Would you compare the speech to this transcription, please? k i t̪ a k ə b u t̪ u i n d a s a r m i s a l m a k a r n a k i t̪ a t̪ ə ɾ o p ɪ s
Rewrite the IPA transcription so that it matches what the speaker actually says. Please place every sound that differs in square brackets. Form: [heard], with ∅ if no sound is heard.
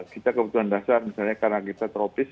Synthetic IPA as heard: k i t̪ a k ə b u t̪ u [a] n d a s a r m i s a l [ɲ] a k a r n a k i t̪ a t̪ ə ɾ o p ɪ s